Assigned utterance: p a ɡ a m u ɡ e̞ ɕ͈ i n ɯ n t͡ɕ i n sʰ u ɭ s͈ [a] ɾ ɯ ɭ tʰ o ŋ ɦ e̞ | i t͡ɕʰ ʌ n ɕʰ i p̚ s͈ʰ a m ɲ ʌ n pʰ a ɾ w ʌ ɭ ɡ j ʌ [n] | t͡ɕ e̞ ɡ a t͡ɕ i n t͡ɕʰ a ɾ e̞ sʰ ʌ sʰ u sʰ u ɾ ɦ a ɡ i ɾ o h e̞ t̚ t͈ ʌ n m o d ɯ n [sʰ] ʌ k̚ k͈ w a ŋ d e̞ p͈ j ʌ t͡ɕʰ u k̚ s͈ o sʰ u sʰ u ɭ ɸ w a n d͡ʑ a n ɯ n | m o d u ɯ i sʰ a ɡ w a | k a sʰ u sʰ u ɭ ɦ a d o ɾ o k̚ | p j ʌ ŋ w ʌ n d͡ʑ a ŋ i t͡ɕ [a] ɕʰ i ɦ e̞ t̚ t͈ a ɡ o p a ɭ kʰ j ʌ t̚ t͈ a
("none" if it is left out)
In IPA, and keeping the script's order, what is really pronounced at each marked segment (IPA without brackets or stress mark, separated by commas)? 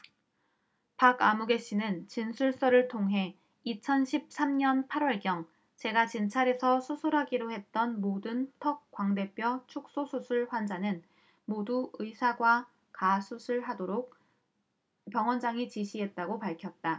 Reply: ʌ, ŋ, tʰ, i